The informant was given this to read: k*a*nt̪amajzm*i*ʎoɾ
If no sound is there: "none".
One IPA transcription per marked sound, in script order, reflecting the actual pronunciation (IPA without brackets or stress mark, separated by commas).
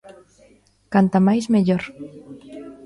a, e